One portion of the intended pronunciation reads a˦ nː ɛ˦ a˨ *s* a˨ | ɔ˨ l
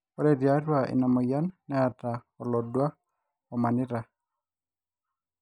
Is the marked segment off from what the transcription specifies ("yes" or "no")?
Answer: yes